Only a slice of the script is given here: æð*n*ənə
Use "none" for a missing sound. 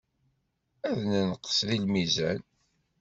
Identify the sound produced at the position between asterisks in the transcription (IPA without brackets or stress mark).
n